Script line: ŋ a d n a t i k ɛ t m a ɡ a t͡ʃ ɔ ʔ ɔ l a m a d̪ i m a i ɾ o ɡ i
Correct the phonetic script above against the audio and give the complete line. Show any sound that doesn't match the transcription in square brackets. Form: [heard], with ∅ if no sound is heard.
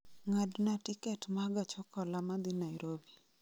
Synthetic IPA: ŋ a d n a t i k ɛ t m a ɡ a t͡ʃ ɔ [k] ɔ l a m a d̪ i [n] a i ɾ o [b] i